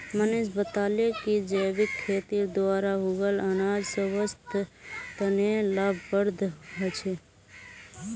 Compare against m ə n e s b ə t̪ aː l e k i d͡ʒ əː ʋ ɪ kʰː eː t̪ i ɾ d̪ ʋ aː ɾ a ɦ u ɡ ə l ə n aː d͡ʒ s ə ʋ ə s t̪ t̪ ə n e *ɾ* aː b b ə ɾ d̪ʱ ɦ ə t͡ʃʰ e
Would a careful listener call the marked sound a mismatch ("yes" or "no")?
yes